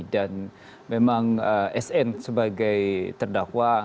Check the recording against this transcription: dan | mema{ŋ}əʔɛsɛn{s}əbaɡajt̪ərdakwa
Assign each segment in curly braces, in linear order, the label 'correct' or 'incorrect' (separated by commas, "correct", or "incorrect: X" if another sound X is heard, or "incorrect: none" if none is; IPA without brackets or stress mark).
correct, correct